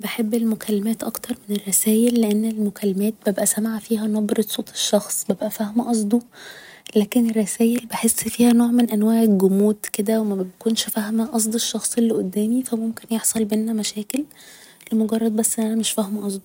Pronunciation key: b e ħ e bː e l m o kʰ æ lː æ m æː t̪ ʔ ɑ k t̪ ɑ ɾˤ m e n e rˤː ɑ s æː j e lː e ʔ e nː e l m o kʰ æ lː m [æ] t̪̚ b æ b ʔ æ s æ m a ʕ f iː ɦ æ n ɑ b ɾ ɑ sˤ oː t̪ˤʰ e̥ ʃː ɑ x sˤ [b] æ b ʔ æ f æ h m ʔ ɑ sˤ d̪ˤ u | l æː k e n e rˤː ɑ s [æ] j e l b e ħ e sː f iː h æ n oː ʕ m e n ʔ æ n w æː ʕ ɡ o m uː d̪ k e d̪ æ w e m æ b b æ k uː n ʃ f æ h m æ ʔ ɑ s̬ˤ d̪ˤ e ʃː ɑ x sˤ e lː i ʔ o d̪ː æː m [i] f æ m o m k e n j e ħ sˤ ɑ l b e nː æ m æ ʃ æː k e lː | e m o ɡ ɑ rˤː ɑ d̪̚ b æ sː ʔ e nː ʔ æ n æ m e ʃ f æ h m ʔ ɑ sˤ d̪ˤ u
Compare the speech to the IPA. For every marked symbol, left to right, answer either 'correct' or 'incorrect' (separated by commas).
incorrect, correct, incorrect, correct